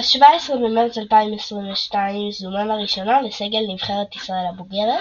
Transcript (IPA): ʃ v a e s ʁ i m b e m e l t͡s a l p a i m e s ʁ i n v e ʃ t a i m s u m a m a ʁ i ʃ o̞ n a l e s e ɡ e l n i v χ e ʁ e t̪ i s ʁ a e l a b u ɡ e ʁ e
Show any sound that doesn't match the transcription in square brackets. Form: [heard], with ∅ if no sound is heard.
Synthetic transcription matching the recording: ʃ v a e s ʁ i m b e m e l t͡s a l p a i m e s ʁ i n v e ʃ t a i m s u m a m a ʁ i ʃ o̞ n a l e s e ɡ e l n i v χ e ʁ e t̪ i s ʁ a e l a b u ɡ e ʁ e